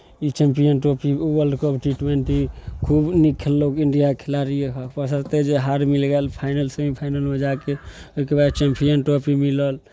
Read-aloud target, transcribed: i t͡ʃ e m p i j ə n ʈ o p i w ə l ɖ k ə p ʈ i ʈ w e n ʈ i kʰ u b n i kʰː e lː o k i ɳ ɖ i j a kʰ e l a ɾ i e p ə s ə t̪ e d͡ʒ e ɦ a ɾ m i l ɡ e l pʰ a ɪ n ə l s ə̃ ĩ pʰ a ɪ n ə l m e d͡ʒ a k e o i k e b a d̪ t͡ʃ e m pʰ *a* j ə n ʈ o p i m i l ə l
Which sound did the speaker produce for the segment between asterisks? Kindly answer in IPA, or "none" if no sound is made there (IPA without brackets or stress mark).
i